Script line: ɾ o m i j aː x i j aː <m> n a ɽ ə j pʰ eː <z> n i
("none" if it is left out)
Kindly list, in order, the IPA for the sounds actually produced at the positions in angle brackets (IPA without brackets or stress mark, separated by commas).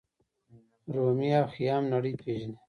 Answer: m, ʒ